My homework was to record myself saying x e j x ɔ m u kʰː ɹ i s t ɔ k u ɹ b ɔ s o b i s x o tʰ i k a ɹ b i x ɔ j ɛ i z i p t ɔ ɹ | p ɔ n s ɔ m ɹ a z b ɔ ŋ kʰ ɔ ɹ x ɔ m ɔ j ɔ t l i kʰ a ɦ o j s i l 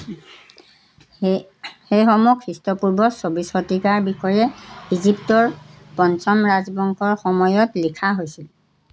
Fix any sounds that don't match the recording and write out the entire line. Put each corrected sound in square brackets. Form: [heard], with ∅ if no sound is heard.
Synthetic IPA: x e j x ɔ m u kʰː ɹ i s t ɔ [p] u ɹ b ɔ s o b i s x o [t] i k a ɹ b i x ɔ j ɛ i z i p t ɔ ɹ | p ɔ n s ɔ m ɹ a z b ɔ ŋ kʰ ɔ ɹ x ɔ m ɔ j ɔ t l i kʰ a ɦ o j s i l